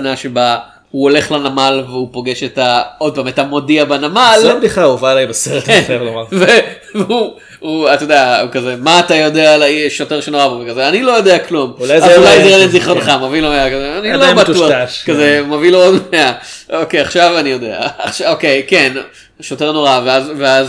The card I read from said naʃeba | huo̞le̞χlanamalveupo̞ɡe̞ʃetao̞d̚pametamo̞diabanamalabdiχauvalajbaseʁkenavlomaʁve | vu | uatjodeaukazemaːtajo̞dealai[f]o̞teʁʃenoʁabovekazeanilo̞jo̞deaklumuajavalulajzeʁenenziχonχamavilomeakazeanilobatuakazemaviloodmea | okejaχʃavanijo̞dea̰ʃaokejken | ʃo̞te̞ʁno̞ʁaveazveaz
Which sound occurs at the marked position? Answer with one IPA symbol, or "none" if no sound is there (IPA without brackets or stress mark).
ʃ